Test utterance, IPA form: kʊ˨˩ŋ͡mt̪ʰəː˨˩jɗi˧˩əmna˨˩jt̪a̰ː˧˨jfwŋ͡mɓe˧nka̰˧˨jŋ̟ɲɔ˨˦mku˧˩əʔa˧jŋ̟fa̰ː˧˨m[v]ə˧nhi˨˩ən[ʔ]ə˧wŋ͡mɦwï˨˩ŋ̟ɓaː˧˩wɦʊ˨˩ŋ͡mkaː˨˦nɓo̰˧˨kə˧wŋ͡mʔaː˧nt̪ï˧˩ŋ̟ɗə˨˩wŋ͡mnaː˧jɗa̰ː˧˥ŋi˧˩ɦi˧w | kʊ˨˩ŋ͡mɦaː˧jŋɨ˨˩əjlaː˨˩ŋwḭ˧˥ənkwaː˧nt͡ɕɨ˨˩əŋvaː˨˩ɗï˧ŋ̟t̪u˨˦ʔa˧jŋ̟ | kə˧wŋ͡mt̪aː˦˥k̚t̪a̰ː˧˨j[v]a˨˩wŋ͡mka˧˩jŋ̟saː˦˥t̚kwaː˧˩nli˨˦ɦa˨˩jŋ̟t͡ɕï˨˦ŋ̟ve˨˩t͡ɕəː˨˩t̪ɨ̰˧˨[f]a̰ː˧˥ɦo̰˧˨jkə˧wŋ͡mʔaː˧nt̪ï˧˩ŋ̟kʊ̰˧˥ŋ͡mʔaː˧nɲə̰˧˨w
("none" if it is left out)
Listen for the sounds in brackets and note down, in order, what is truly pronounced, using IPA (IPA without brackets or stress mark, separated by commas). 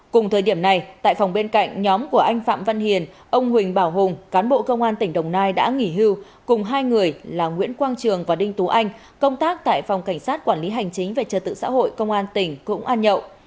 v, ʔ, f, s